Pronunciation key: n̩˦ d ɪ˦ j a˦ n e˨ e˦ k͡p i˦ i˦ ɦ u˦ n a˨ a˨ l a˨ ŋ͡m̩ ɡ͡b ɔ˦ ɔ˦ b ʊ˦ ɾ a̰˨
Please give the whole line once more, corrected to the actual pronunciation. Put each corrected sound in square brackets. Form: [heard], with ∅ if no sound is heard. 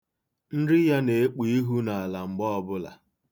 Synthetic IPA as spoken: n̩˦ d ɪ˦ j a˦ n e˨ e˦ k͡p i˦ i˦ ɦ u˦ n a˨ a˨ l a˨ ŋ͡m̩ ɡ͡b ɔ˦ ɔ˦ b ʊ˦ [l] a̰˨